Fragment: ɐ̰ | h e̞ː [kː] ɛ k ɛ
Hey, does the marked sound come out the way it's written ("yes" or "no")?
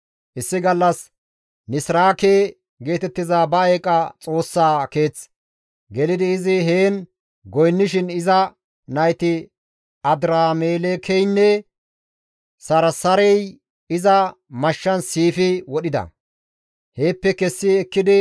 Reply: no